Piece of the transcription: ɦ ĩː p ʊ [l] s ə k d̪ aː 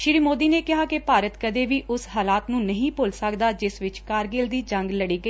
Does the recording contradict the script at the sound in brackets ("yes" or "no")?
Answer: no